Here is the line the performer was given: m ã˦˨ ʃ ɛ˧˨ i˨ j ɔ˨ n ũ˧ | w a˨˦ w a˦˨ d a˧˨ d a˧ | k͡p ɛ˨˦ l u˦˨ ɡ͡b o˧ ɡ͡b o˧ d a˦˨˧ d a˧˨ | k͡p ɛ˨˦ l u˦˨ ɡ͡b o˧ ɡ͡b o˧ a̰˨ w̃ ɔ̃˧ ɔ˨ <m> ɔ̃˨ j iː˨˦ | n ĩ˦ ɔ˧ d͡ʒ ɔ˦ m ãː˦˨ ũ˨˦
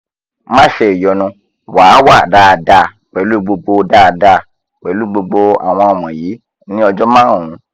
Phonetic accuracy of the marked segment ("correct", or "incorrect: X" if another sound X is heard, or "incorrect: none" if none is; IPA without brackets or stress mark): correct